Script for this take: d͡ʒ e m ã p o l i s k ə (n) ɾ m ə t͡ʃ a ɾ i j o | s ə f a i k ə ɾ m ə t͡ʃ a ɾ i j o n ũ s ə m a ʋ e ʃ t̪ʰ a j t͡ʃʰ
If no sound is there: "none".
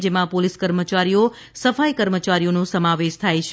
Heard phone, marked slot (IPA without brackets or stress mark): none